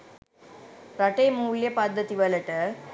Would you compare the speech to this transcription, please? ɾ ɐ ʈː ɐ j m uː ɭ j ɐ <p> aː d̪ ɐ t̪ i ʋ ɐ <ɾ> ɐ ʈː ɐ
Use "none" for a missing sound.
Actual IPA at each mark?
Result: p, l

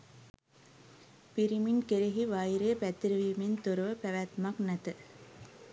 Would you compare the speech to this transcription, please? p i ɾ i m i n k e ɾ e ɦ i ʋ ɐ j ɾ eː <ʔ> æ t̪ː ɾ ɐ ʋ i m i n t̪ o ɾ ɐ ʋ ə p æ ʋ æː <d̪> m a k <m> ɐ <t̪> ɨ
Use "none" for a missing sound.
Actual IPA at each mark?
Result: p, t̪, n, t̪

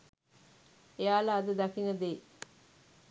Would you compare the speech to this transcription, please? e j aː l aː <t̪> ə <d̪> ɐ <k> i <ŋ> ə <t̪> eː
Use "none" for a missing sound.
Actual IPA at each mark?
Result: d̪, d̪, k, ŋ, d̪

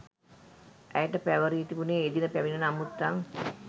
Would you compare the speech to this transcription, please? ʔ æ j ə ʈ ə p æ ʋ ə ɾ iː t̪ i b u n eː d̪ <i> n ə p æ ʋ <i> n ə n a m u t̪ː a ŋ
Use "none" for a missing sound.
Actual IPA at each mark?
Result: i, i

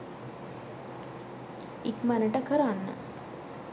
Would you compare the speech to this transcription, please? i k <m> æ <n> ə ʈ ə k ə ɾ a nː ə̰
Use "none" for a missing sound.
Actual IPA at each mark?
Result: m, n

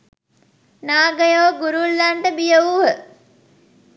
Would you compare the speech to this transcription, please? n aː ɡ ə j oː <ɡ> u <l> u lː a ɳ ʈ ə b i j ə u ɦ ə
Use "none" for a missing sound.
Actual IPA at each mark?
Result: ɡ, ɾ

